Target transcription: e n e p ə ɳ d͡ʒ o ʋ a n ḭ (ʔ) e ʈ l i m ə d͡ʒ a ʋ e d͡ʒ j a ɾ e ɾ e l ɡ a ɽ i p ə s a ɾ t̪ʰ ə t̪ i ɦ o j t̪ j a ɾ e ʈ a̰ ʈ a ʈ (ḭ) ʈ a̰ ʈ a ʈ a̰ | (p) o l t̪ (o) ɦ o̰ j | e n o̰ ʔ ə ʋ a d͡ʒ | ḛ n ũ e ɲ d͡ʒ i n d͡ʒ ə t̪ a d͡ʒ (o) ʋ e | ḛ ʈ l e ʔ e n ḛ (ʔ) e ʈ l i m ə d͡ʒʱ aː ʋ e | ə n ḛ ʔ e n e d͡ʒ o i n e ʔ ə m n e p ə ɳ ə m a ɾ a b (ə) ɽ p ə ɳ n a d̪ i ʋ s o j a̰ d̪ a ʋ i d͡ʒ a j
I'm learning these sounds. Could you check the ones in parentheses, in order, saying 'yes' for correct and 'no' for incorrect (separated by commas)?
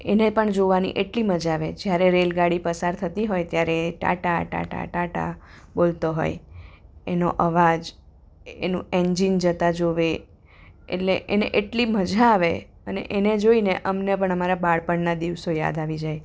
yes, no, no, yes, yes, yes, no